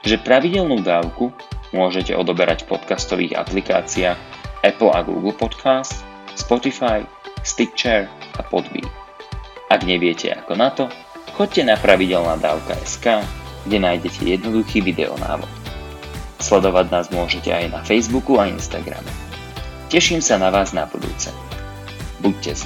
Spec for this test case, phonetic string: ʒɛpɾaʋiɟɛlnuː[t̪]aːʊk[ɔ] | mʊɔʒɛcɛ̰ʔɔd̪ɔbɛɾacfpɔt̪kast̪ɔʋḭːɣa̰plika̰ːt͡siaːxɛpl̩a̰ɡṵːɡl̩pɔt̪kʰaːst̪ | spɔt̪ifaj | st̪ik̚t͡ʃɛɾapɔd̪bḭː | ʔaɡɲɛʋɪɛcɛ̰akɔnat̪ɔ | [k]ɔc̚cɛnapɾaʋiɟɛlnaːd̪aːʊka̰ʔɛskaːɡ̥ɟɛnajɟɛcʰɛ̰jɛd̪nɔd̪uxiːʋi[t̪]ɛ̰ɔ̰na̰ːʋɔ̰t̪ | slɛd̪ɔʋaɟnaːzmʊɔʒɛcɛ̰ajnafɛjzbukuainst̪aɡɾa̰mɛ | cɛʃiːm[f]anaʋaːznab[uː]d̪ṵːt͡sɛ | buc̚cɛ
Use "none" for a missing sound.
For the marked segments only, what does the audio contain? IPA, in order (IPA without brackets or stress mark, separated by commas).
d̪, u, x, d̪, s, u